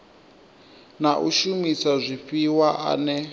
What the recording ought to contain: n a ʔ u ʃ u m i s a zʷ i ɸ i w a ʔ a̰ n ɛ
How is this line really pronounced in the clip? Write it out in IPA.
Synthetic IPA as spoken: n a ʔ u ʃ u m i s a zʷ i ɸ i w a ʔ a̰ n ɛ